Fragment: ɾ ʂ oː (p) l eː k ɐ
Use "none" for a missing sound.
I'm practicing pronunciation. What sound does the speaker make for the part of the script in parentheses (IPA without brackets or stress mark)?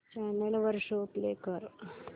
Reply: p